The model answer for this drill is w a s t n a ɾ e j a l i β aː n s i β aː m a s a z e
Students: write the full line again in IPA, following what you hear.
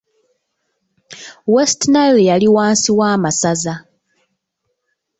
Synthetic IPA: w e s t n a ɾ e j a l i w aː n s i w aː m a s a z a